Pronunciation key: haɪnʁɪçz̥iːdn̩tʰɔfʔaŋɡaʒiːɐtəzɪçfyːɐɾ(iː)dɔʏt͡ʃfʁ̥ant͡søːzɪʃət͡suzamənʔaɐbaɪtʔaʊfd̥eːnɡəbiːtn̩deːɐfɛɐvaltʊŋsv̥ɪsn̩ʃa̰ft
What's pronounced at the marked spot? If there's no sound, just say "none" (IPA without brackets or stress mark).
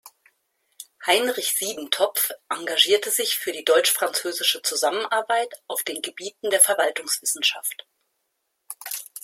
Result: iː